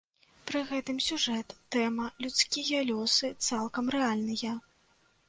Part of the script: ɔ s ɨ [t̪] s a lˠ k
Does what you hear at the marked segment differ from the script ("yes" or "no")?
no